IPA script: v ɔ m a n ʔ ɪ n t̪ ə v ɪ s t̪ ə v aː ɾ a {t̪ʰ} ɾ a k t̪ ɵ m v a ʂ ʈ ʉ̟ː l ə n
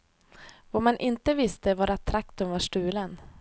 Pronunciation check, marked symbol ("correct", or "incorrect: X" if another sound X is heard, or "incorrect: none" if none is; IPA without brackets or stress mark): correct